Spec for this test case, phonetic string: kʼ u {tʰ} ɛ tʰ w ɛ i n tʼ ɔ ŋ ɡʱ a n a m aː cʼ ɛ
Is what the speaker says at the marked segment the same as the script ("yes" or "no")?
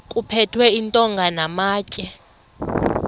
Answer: no